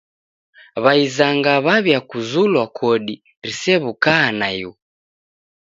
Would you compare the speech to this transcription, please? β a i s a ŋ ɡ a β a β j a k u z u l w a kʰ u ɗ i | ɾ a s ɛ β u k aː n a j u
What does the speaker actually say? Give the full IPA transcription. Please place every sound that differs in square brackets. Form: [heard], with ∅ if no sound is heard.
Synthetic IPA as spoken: β a i [z] a ŋ ɡ a β a β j a k u z u l w a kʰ [ɔ] ɗ i | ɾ [i] s ɛ β u k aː n a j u